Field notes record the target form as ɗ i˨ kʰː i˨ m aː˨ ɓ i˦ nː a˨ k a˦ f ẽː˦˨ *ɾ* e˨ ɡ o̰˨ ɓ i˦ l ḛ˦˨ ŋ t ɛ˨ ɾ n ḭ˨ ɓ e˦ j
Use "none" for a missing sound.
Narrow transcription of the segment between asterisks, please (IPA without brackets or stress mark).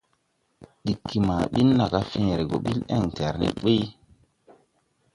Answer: ɾ